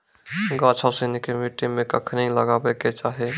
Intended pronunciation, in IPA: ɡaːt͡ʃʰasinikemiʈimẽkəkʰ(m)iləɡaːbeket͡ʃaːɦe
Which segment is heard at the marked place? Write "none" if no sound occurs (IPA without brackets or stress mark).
n